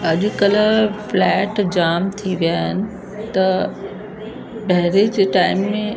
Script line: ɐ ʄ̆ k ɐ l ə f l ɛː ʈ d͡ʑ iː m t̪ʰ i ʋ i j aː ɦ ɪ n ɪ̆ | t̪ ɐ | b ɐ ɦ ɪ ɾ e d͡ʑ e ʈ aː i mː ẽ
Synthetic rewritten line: ɐ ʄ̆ k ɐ l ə f l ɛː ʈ d͡ʑ aː m t̪ʰ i ʋ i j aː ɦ ɪ n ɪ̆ | t̪ ɐ | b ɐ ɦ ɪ ɾ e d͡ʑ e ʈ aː ɪ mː ẽ